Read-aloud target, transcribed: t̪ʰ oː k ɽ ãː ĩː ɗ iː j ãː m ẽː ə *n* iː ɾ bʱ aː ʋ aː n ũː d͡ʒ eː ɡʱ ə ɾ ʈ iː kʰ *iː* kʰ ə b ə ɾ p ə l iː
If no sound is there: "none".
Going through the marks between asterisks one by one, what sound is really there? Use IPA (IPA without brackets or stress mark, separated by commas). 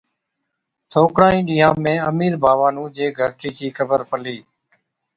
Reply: m, iː